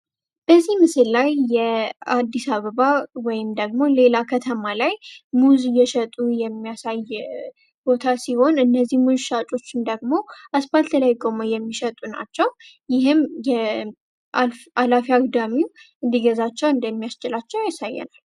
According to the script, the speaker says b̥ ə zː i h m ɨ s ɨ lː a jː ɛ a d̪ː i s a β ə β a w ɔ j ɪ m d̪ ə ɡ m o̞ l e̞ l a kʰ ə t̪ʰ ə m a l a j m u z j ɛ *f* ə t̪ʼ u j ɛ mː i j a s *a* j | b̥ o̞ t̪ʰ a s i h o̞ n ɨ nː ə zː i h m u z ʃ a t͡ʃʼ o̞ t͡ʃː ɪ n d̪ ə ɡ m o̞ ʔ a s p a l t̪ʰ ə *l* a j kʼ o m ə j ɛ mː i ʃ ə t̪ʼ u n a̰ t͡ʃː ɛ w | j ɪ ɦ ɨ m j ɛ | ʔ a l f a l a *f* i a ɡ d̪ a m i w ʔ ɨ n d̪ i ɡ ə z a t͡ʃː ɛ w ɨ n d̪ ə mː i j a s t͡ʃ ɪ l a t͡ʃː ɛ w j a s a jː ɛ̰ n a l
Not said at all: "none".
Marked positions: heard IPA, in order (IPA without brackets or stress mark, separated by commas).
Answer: ʃ, a, l, f